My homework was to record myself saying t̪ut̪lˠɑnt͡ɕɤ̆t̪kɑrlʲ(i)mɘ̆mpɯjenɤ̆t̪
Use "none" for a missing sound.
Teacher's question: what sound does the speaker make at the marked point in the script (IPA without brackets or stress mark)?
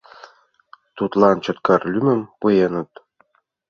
y